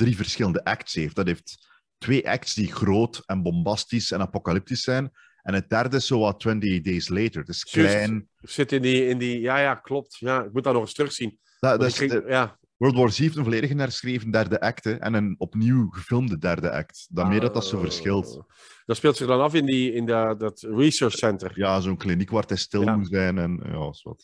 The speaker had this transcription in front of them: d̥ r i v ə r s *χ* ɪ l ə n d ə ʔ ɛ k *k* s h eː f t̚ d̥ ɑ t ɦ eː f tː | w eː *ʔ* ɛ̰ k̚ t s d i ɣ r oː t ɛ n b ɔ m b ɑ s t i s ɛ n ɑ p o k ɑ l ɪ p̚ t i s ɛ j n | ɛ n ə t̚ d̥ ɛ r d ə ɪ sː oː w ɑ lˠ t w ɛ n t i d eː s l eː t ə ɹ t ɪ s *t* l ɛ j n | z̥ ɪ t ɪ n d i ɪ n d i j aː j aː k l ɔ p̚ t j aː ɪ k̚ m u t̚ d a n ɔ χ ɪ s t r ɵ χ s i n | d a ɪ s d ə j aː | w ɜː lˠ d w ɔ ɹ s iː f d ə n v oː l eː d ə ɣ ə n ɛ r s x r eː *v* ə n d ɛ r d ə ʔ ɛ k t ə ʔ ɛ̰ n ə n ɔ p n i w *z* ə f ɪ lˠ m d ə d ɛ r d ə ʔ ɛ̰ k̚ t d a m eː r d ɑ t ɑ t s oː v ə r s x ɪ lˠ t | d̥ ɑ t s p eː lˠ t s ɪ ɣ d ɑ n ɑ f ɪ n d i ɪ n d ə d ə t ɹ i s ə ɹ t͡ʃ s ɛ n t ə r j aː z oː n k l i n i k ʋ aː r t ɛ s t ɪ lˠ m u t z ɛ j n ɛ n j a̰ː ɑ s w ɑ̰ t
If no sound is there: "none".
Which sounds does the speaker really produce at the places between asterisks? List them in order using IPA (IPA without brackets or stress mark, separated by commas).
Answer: x, t, ʔ, k, v, ɣ